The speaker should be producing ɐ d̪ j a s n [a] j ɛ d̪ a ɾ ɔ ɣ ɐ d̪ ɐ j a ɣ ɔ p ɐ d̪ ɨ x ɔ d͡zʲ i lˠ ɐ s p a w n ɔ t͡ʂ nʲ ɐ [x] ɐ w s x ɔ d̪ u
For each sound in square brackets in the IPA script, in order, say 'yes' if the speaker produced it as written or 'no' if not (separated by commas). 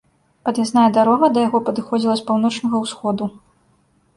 yes, no